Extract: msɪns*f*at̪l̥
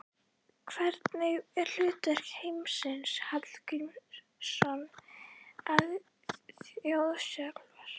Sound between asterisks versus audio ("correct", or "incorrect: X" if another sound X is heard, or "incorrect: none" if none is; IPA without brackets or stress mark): incorrect: h